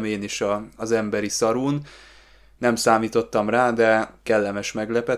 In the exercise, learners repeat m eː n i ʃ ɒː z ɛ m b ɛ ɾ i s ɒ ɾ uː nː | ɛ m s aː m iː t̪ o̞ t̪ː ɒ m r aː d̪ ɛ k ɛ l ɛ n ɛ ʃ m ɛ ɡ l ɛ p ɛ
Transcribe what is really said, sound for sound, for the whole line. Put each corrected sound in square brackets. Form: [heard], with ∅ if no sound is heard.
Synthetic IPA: m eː n i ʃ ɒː z ɛ m b ɛ ɾ i s ɒ ɾ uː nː | ɛ m s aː m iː t̪ o̞ t̪ː ɒ m r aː d̪ ɛ k ɛ [lː] ɛ [m] ɛ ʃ m ɛ ɡ l ɛ p ɛ